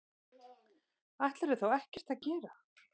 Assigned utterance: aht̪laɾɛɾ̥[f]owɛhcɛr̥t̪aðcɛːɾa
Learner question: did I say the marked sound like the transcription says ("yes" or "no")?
no